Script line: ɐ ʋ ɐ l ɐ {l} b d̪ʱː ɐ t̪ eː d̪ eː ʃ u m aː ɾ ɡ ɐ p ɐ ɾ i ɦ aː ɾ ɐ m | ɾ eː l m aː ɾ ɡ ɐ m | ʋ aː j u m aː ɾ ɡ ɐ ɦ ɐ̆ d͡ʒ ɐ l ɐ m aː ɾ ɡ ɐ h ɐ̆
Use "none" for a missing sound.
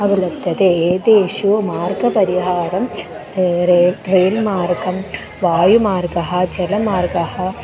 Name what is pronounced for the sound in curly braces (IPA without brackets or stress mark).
none